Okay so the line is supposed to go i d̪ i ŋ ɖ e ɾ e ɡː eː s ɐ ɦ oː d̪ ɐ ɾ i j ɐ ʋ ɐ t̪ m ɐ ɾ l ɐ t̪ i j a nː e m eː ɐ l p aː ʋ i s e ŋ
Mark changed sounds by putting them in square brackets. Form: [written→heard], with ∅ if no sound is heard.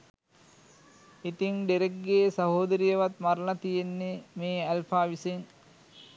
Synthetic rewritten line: i [d̪→t̪] i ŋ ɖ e ɾ e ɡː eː s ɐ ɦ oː d̪ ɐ ɾ i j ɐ ʋ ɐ t̪ m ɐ ɾ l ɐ t̪ i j [a→e] nː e m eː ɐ l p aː ʋ i s e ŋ